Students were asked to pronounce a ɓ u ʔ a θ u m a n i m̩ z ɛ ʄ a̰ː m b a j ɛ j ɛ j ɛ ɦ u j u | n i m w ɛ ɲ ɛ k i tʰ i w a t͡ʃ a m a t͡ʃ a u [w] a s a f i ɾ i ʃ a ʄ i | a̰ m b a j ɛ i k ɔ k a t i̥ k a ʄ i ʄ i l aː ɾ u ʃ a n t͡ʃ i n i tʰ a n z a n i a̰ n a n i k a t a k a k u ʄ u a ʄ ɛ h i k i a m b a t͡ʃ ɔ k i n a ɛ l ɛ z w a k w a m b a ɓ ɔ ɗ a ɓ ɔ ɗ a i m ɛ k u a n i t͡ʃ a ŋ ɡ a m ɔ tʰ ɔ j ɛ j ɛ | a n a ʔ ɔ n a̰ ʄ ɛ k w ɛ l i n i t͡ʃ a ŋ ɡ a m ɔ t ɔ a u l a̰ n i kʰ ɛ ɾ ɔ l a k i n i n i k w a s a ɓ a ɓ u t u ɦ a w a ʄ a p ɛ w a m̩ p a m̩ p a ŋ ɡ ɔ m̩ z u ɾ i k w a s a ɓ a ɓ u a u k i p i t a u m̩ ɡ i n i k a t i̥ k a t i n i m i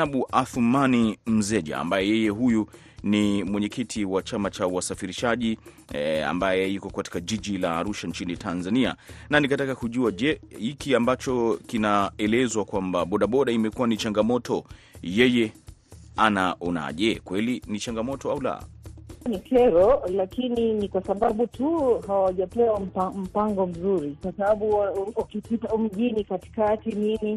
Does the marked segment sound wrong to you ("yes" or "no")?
no